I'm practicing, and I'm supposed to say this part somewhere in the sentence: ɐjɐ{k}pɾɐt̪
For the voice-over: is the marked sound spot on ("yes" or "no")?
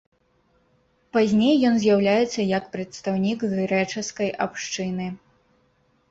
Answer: yes